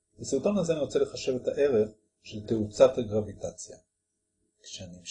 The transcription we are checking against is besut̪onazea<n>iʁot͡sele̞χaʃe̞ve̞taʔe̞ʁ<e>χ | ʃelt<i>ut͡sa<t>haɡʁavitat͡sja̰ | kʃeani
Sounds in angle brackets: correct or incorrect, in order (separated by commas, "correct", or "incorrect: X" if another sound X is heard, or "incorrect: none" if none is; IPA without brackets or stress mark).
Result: correct, correct, incorrect: e, correct